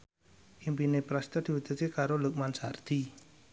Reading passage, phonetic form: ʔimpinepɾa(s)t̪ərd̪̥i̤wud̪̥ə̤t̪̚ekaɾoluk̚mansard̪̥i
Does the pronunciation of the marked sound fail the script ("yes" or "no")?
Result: no